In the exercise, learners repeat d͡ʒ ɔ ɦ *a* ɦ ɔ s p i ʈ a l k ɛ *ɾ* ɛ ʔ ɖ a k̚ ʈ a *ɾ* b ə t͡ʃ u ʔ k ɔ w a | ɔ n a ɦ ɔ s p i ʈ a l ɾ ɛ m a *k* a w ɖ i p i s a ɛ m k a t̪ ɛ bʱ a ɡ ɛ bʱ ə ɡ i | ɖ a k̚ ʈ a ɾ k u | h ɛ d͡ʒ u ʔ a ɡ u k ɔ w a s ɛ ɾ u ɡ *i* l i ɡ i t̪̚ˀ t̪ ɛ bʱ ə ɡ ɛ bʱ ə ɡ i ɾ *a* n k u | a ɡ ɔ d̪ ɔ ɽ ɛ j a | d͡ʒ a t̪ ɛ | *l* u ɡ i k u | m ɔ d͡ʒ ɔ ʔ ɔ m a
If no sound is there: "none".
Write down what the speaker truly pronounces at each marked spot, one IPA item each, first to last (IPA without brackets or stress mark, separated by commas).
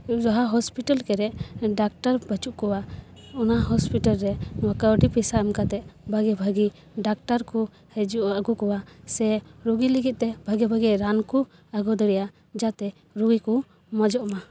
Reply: a, ɾ, ɾ, k, i, a, ɾ